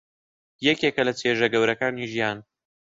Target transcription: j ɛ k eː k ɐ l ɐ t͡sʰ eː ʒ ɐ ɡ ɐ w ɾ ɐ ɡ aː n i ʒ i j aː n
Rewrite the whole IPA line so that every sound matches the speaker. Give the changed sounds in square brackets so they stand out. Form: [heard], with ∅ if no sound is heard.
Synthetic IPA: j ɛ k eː k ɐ l ɐ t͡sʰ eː ʒ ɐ ɡ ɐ w ɾ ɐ [k] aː n i ʒ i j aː n